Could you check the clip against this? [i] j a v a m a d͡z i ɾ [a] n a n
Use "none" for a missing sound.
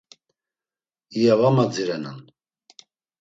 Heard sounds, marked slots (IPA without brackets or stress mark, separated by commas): i, ɛ